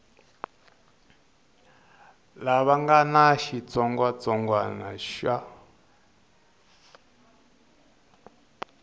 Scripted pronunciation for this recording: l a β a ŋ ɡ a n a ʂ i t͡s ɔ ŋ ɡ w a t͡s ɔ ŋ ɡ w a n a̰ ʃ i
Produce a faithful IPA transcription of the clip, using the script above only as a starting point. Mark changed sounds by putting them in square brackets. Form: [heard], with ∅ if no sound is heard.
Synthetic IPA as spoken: l a β a ŋ ɡ a n a [ʃ] i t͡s ɔ ŋ ɡ w a t͡s ɔ ŋ ɡ w a n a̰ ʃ [a]